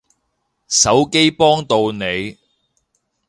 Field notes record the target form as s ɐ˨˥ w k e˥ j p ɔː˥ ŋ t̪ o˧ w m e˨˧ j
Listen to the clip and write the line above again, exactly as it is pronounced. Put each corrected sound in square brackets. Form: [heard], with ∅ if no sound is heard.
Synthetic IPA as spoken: s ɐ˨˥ w k e˥ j p ɔː˥ ŋ t̪ o˧ w [n] e˨˧ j